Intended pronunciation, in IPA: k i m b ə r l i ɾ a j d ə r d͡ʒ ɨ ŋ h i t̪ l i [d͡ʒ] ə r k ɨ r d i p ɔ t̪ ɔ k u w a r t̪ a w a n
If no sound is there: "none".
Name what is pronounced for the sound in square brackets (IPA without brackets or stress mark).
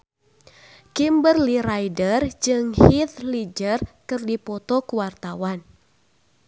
d͡ʒ